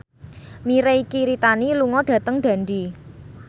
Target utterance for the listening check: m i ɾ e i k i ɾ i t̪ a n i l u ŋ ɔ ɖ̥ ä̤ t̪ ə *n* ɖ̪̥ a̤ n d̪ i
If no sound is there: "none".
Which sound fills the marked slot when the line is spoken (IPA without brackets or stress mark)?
ŋ